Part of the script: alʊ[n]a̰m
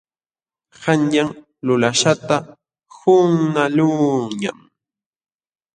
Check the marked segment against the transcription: incorrect: ɲ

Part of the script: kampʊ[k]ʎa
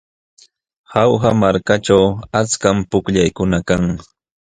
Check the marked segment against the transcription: correct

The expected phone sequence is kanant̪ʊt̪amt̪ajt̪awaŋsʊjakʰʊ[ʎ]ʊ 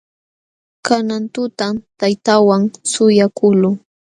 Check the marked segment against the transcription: incorrect: l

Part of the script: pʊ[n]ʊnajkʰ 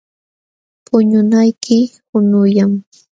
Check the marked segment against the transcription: incorrect: ɲ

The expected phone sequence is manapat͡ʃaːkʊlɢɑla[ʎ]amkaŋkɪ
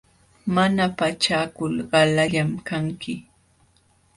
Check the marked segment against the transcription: correct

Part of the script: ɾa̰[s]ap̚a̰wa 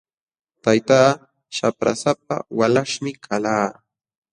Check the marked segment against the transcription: correct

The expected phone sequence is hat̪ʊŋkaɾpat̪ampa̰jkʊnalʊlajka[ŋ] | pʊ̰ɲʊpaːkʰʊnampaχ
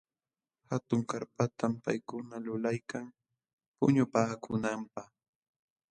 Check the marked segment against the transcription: correct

